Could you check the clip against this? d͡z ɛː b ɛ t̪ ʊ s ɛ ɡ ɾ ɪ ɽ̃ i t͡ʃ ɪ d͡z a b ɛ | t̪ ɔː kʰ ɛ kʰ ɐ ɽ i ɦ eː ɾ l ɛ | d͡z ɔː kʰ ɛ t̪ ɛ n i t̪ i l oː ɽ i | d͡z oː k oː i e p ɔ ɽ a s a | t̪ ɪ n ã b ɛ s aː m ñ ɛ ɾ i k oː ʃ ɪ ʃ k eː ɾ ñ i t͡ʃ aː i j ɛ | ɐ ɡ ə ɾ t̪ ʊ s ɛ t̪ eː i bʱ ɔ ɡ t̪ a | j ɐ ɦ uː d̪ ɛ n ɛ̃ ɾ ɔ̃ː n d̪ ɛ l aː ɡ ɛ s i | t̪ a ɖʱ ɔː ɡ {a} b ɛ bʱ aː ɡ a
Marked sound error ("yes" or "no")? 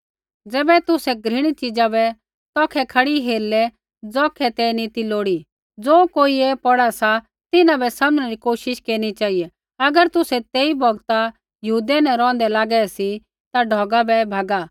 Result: no